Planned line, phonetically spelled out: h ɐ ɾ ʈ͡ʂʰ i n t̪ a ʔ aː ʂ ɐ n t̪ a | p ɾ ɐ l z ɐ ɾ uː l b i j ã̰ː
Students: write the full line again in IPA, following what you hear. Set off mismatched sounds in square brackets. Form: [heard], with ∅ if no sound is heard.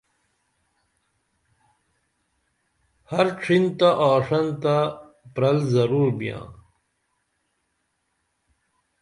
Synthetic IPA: h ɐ ɾ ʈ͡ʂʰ i n t̪ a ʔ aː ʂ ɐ n t̪ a | p ɾ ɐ l z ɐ ɾ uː [ɾ] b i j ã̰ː